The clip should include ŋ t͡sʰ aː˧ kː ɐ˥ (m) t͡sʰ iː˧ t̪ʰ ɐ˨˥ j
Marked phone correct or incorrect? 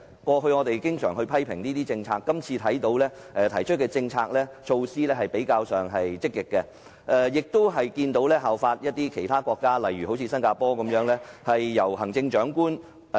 correct